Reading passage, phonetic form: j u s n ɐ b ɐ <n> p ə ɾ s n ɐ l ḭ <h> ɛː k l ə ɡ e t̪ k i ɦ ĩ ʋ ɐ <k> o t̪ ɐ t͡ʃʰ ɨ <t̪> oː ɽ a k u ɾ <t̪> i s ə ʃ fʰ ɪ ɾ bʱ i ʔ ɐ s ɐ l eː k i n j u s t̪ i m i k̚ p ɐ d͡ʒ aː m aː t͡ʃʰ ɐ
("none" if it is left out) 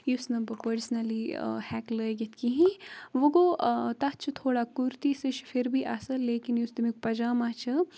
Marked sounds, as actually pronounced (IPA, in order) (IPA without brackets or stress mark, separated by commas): none, h, ɡ, t̪ʰ, t̪